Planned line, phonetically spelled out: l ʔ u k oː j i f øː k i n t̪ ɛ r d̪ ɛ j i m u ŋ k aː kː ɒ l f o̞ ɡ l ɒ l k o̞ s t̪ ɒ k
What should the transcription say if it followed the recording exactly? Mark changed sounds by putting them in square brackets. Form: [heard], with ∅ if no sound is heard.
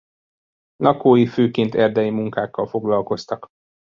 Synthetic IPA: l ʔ [ɒ] k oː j i f øː k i n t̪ ɛ r d̪ ɛ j i m u ŋ k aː kː ɒ l f o̞ ɡ l ɒ l k o̞ s t̪ ɒ k